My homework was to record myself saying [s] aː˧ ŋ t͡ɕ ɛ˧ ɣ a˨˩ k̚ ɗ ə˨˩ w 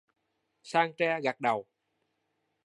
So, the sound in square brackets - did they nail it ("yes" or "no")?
yes